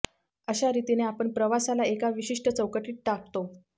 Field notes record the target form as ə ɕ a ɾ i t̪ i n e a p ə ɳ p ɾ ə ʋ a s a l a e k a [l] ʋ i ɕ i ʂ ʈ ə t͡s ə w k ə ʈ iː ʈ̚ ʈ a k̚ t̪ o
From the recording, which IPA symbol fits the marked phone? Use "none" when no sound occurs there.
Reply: none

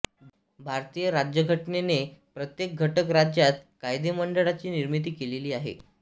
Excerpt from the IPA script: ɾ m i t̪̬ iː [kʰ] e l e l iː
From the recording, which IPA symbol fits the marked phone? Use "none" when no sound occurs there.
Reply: k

